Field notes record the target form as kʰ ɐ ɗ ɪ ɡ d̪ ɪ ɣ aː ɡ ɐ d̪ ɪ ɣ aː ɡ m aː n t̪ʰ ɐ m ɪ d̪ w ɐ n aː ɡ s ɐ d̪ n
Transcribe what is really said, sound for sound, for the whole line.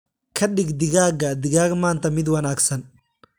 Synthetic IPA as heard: kʰ ɐ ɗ ɪ ɡ d̪ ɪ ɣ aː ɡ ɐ d̪ ɪ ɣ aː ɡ m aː n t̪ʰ ɐ m ɪ d̪ w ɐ n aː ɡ s ɐ n